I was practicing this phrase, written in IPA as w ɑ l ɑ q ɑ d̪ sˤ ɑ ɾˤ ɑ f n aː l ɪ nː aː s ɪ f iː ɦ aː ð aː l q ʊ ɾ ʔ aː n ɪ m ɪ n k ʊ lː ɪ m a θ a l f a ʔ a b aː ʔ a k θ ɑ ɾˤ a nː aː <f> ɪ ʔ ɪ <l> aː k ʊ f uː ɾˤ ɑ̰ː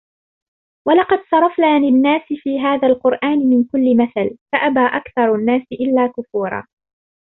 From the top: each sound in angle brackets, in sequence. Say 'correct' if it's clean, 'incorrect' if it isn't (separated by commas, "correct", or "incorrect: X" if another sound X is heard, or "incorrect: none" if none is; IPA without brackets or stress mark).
incorrect: s, incorrect: lː